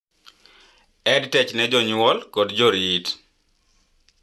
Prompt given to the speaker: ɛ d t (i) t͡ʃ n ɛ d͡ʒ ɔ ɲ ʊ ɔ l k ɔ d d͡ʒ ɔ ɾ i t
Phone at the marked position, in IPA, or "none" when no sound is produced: ɛ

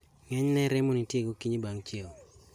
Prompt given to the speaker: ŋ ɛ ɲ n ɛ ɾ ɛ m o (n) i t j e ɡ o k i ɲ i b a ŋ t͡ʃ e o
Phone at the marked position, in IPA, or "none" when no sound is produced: n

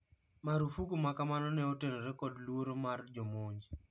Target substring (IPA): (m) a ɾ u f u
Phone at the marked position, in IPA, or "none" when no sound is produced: m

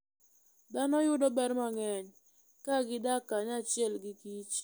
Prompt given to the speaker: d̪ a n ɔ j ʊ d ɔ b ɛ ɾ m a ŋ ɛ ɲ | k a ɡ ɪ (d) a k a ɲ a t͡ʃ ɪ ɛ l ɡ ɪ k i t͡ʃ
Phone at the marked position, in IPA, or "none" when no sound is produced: d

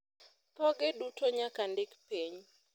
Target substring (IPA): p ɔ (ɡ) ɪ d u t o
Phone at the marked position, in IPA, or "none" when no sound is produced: ɡ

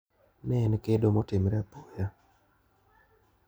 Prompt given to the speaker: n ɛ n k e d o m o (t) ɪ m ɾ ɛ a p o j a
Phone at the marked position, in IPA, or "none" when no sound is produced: t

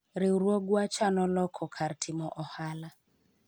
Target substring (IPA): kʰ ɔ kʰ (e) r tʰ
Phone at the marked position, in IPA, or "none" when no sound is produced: a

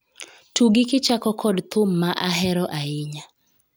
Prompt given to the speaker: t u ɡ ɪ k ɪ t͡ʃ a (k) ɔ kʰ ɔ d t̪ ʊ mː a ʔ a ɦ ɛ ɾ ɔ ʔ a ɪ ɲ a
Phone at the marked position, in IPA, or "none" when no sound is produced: k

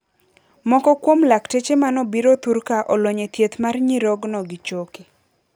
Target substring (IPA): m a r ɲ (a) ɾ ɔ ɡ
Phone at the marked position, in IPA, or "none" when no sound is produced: i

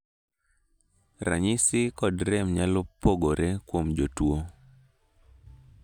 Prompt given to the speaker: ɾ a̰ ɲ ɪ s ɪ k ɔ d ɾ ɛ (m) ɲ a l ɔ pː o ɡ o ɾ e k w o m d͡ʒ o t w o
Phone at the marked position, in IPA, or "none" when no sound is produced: m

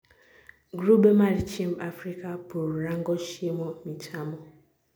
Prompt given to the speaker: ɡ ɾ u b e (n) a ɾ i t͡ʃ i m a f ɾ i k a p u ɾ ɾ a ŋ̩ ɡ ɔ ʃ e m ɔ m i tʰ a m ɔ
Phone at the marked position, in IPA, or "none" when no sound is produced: m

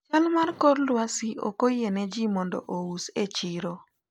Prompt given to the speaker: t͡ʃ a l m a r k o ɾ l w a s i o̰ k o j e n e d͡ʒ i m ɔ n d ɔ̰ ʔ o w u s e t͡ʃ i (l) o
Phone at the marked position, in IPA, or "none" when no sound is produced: ɾ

